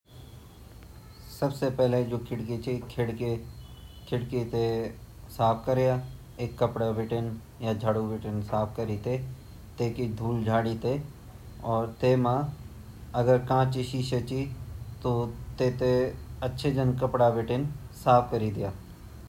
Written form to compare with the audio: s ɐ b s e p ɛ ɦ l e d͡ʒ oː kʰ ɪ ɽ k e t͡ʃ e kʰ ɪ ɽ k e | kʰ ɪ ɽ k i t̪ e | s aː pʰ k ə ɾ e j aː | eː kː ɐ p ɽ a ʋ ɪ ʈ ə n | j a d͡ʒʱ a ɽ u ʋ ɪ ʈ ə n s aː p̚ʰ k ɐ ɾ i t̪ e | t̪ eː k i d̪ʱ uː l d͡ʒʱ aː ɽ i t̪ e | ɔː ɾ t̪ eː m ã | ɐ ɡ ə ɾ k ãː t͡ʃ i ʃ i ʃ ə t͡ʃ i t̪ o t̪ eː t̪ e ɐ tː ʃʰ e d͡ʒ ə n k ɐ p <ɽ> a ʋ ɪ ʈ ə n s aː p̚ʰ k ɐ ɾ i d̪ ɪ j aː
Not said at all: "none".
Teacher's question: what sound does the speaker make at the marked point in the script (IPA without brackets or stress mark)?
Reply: ɽ